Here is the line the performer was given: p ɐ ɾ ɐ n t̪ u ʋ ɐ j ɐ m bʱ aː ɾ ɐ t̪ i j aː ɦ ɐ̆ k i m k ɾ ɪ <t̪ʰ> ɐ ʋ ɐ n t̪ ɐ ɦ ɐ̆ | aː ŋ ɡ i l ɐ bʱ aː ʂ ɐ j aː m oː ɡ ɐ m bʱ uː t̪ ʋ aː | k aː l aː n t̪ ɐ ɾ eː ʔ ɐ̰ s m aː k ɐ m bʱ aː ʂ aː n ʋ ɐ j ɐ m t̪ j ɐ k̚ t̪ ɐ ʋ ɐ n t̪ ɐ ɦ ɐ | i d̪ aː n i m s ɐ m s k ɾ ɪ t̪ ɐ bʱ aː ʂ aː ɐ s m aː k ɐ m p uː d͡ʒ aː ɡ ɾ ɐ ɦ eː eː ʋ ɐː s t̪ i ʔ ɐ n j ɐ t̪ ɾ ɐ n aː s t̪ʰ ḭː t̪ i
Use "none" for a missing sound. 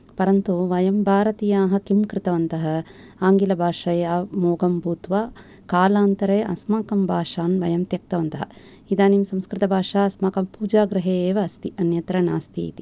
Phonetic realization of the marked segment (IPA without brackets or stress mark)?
t̪